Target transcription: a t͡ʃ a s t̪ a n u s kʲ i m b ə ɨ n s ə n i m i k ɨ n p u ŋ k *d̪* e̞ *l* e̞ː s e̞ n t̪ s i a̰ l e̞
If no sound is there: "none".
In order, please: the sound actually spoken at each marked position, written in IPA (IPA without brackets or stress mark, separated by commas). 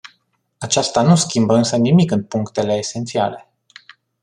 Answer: t̪, l